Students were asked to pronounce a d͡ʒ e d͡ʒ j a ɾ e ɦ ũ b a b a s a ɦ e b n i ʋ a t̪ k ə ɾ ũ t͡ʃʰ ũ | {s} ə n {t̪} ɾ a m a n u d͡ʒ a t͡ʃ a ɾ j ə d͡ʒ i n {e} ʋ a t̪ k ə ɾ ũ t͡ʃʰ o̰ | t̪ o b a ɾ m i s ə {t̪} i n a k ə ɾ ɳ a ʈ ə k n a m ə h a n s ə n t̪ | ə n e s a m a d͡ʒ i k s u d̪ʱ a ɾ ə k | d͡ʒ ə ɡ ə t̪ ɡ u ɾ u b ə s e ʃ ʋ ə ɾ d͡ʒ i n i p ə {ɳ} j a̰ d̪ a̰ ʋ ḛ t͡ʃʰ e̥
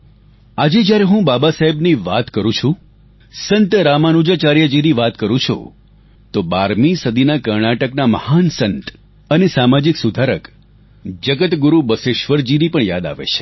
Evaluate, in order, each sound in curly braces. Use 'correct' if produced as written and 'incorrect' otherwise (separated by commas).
correct, correct, incorrect, incorrect, correct